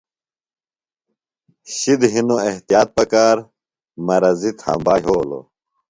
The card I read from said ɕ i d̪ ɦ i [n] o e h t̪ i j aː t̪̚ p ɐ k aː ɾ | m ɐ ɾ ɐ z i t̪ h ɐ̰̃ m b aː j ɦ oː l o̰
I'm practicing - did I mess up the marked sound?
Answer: no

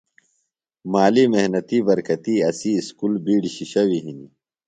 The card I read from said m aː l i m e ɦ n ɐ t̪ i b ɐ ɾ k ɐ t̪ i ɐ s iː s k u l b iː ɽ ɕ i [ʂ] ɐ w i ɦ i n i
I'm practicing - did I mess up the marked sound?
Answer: yes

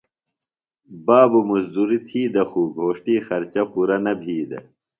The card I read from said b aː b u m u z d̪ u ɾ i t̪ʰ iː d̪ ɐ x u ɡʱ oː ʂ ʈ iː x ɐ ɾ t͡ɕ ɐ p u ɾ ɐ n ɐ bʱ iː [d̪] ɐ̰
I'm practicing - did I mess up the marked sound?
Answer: no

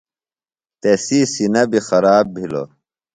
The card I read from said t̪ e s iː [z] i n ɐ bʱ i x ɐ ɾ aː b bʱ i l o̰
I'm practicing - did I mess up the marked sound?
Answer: yes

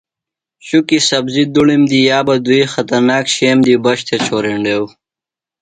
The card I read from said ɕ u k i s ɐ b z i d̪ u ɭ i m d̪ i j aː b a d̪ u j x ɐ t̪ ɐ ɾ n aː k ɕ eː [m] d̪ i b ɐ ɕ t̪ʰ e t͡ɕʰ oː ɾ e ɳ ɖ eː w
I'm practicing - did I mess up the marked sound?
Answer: no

